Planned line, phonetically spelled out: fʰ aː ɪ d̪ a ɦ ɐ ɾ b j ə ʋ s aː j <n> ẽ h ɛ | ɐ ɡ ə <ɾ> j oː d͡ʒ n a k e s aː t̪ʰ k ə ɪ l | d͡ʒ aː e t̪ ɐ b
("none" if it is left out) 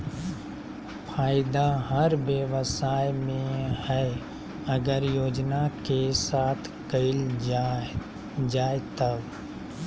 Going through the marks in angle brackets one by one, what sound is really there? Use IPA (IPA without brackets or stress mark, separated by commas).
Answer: m, ɾ